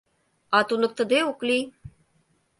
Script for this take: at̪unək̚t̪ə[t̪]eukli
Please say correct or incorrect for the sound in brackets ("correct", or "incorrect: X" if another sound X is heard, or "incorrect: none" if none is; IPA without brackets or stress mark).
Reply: incorrect: d̪